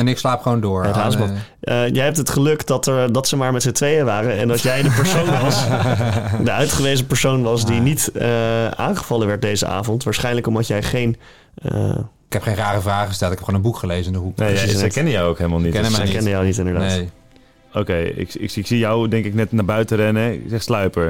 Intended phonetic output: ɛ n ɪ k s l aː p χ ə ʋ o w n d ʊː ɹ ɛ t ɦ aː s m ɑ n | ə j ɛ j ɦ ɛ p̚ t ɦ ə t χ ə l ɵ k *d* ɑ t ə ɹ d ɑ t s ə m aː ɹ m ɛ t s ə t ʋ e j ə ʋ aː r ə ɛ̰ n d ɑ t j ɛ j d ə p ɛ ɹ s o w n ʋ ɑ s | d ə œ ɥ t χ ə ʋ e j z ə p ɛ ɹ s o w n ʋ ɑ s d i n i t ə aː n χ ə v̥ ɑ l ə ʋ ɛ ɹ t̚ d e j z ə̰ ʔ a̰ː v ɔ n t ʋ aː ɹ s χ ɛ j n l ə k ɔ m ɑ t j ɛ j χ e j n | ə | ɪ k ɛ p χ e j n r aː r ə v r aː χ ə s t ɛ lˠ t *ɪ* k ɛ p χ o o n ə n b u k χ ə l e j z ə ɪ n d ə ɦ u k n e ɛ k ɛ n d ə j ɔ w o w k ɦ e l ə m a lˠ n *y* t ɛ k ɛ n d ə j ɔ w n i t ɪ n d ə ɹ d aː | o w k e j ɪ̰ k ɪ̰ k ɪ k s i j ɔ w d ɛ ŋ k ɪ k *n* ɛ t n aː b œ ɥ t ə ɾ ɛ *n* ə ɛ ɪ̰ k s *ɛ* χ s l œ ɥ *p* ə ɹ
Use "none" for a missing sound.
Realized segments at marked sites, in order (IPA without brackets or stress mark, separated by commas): d, ɪ, i, n, n, ɛ, p